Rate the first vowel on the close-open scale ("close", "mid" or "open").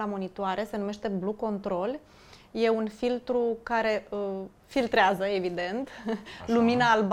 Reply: open